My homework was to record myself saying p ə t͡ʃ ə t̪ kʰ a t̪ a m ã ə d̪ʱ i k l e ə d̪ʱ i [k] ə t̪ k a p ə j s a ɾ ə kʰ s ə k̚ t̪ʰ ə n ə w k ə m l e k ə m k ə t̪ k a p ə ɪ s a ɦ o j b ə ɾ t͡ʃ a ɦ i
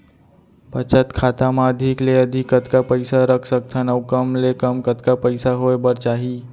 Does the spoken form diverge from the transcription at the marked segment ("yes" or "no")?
no